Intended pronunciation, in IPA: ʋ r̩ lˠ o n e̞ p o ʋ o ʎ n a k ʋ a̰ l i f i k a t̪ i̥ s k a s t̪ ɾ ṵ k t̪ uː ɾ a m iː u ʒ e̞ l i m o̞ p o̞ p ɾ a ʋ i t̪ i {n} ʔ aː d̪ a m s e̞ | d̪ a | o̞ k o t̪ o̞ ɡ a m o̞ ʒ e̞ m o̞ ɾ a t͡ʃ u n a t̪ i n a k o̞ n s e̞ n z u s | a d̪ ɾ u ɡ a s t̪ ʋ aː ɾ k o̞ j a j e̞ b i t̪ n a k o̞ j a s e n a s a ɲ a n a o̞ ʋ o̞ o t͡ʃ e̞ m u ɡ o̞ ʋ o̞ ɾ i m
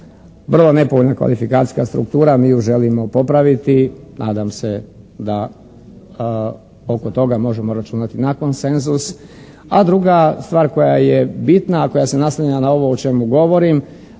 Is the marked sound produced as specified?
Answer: yes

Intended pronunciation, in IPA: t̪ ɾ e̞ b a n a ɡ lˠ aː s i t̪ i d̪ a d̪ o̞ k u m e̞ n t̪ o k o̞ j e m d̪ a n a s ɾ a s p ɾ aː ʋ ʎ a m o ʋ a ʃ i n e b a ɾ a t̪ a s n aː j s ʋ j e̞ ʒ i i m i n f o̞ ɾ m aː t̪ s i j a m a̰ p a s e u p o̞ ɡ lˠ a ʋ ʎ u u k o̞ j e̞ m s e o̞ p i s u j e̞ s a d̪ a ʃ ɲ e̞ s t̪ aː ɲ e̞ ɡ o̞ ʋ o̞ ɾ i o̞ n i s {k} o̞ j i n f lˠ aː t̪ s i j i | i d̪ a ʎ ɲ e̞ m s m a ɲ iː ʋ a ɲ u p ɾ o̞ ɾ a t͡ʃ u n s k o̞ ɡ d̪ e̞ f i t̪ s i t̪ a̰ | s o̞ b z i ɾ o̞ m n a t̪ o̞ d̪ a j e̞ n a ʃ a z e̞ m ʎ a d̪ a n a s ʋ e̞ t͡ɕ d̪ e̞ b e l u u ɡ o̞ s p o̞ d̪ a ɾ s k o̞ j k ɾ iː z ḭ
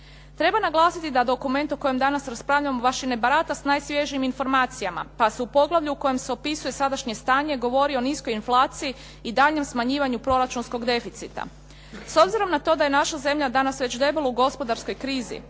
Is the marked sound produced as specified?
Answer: yes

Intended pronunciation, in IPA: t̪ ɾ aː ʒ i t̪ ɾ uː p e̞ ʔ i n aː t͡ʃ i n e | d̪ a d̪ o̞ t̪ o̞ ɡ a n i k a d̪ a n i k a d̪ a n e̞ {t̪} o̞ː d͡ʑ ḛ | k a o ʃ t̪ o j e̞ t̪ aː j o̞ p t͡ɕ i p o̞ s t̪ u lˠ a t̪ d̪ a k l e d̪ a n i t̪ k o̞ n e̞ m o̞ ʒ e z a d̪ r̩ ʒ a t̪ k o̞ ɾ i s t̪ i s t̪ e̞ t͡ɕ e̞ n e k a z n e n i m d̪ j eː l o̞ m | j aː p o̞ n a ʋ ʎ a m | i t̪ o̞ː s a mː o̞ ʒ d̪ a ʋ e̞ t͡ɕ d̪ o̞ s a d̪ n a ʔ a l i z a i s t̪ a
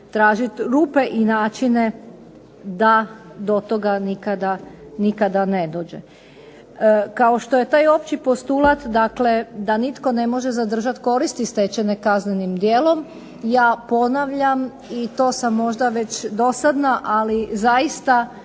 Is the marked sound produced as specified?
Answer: no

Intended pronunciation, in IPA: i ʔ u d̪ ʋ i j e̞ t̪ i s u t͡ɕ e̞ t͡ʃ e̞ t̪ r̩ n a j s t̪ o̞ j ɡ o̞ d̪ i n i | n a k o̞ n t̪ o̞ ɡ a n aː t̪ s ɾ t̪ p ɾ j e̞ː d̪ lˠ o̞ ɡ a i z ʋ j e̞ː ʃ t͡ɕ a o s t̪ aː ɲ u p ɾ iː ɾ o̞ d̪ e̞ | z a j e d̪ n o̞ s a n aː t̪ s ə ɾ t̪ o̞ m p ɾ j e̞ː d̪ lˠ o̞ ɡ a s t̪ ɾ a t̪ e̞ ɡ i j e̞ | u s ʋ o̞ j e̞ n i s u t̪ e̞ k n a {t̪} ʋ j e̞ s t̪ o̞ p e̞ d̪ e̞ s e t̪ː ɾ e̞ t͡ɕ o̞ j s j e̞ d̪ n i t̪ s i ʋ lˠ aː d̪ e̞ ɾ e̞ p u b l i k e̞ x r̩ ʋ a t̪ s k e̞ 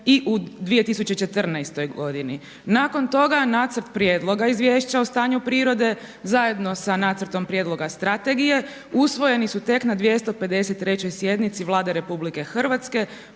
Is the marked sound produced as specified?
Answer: no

